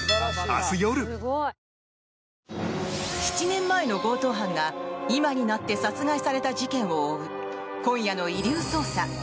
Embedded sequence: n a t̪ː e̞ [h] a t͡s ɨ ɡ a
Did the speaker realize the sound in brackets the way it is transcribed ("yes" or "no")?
no